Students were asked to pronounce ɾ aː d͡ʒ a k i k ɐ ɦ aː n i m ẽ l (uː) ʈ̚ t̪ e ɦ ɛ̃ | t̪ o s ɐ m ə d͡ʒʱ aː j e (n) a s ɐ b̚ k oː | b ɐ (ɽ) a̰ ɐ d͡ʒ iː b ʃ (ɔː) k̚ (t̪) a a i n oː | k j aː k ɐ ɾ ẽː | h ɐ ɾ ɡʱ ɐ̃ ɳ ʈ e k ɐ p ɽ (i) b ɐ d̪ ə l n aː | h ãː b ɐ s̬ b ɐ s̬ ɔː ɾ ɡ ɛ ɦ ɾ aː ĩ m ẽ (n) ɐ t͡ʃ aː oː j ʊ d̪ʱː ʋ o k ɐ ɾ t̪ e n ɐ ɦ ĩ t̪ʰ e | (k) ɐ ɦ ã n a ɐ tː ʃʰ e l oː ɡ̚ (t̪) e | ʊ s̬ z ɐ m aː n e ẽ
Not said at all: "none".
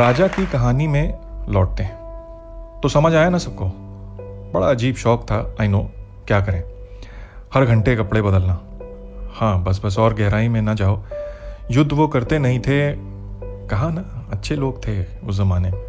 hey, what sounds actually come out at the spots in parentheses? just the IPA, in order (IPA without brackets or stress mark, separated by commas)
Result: ɔː, n, ɽ, ɔː, t̪ʰ, e, n, k, t̪ʰ